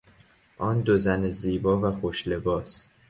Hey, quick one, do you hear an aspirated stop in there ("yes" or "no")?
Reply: no